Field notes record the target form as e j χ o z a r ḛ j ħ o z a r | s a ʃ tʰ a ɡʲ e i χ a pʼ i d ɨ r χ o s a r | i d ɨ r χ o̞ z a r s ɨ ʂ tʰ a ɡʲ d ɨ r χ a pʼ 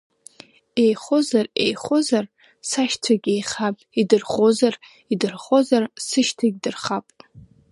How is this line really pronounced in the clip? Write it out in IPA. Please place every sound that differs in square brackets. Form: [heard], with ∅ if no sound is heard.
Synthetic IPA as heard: e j χ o z a r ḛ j [χ] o z a r | s a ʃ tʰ a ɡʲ e [j] χ a pʼ i d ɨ r χ o [z] a r | i d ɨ r χ o̞ z a r s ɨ [ʃ] tʰ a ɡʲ d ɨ r χ a pʼ